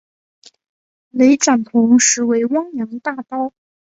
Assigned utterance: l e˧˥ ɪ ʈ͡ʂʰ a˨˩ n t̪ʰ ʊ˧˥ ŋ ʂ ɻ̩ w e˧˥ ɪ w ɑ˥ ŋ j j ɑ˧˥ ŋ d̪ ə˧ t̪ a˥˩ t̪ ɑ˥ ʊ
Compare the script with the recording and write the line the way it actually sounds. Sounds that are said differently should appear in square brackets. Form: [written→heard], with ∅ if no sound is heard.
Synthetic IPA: l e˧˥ ɪ [ʈ͡ʂʰ→ʈ͡ʂ] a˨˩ n t̪ʰ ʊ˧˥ ŋ ʂ ɻ̩ w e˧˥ ɪ w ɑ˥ ŋ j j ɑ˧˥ ŋ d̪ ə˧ t̪ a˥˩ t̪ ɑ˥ ʊ